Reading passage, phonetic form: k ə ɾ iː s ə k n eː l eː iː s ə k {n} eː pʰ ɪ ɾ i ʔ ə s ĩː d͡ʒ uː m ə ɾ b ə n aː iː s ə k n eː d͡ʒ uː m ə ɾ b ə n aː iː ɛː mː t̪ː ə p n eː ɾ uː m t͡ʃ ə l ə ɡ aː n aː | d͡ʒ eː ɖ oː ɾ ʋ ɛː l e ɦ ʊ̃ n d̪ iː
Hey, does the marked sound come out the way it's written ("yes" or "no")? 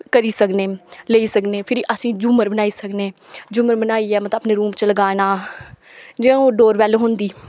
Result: yes